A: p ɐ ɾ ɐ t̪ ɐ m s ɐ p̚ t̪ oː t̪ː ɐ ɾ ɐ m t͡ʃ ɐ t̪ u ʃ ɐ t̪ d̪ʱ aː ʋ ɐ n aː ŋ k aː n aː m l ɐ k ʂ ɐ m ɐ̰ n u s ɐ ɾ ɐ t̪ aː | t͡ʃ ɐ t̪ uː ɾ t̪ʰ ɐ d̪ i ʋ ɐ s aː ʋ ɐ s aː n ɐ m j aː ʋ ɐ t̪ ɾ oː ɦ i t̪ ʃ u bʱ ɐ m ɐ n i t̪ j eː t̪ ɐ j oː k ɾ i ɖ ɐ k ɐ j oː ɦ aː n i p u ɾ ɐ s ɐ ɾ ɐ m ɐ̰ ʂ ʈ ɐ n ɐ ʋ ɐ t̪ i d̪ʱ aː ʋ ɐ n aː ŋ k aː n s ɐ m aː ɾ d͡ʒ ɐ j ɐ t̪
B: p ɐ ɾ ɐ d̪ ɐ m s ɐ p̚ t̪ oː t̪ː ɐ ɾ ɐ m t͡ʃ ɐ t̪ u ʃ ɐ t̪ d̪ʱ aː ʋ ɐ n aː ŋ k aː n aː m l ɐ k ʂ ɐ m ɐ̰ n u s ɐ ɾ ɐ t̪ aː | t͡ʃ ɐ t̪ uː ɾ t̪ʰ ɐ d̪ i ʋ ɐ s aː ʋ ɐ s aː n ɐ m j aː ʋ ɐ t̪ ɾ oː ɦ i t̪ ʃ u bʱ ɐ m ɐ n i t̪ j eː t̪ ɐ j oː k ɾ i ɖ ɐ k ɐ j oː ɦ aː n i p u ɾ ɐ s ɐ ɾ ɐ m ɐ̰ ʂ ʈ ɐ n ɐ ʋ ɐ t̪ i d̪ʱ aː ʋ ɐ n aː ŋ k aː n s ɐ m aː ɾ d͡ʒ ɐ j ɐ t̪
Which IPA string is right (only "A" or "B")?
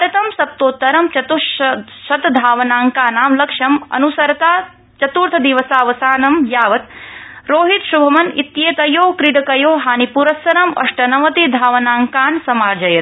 A